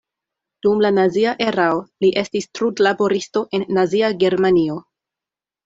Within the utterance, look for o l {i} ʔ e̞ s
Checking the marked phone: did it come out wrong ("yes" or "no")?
no